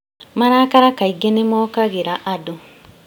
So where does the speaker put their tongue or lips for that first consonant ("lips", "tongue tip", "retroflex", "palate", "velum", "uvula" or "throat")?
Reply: lips